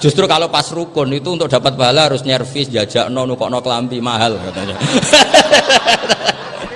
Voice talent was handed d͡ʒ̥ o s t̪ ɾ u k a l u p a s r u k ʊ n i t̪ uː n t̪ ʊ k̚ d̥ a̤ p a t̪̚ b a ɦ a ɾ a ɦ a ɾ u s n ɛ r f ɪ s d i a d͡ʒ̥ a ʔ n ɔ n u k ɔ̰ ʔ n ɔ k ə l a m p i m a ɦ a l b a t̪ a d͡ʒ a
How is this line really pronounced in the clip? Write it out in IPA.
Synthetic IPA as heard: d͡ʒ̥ u s t̪ ɾ u k a l o p a s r u k ʊ n i t̪ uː n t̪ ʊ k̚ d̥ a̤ p a t̪̚ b a ɦ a l a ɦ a ɾ ʊ s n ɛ r f ɪ s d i a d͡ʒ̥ a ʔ n ɔ n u k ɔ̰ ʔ n ɔ k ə l a m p i m a ɦ a l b a t̪ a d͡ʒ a